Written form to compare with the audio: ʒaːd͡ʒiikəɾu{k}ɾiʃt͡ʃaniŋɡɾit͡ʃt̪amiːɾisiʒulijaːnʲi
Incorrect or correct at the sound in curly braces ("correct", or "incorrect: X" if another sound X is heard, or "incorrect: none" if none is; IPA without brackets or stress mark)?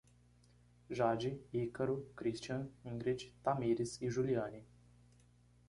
correct